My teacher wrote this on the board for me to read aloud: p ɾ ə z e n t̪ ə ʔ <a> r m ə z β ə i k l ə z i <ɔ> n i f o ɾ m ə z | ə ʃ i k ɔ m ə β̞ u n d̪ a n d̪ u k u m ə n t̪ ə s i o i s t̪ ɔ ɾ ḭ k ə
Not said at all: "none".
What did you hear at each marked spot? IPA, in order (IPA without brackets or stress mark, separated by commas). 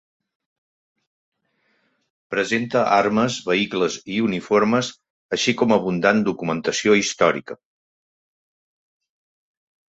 a, u